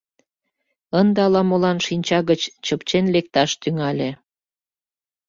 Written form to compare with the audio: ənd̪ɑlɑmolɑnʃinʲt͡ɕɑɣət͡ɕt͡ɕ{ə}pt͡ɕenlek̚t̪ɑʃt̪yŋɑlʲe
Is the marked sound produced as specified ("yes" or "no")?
yes